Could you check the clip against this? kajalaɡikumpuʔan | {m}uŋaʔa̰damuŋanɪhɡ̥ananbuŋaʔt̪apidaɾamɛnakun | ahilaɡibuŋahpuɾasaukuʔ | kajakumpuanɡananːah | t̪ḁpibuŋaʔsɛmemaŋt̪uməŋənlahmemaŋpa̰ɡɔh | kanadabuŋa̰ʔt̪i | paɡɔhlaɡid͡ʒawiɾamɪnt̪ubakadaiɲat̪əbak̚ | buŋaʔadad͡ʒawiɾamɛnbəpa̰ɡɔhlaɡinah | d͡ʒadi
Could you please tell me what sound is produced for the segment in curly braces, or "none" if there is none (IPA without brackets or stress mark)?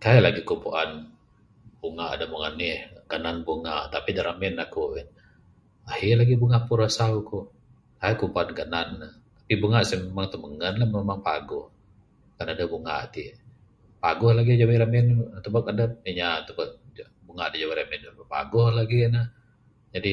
b